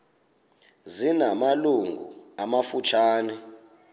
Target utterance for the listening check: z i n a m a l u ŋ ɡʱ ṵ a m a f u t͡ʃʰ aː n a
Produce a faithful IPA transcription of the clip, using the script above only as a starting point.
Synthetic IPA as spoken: z i n a m a l u ŋ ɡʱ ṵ a m a f u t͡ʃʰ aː n ɛ